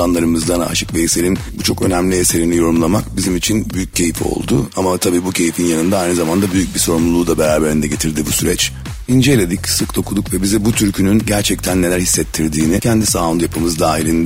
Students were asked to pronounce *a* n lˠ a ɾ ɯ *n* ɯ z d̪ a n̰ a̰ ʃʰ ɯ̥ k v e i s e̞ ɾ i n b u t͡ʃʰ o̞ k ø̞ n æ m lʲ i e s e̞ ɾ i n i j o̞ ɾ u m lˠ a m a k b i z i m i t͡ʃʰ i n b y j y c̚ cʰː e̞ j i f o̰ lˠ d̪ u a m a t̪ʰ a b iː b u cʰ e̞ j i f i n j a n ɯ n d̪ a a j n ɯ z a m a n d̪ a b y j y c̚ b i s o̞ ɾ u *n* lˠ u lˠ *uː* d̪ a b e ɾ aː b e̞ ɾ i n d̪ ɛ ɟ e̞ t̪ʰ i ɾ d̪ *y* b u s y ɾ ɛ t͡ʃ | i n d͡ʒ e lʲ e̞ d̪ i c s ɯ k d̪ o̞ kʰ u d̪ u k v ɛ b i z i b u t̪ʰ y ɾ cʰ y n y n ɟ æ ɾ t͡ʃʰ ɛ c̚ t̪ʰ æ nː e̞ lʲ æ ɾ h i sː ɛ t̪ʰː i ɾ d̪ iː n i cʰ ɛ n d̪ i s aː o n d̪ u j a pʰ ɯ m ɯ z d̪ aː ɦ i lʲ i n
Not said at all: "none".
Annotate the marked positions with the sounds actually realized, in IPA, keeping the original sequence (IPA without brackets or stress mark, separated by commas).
a, m, m, uː, i